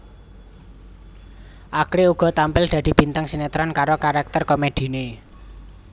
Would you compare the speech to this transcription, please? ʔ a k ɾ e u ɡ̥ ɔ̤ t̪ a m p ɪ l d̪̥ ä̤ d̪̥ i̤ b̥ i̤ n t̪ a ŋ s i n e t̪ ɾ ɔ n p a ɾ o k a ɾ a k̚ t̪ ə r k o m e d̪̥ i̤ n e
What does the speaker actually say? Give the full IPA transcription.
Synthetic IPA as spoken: ʔ a k ɾ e u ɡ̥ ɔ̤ t̪ a m p ɪ l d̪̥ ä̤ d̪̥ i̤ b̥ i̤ n t̪ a ŋ s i n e t̪ ɾ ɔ n k a ɾ o k a ɾ a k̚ t̪ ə r k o m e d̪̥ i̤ n e